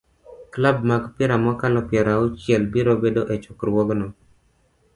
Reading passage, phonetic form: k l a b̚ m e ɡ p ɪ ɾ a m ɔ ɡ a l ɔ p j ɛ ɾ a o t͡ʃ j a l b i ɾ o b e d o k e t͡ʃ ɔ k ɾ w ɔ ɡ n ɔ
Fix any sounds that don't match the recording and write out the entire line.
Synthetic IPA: k l a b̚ m a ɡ p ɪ ɾ a m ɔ k a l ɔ p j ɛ ɾ a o t͡ʃ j ɛ l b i ɾ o b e d o ʔ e t͡ʃ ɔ k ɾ w ɔ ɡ n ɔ